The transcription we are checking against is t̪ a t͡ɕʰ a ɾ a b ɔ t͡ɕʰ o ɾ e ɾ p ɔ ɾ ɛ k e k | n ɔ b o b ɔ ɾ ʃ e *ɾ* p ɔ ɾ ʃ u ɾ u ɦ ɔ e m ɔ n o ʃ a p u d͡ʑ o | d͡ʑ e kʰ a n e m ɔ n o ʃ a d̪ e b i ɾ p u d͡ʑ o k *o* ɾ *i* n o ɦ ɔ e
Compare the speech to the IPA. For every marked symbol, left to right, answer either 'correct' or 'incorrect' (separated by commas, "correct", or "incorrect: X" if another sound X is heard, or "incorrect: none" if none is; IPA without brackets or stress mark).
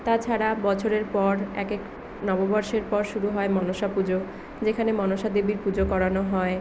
correct, incorrect: ɔ, incorrect: a